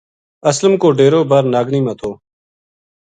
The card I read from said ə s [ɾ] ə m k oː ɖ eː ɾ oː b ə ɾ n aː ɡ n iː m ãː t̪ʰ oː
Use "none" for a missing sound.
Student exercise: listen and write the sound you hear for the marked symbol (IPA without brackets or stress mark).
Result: l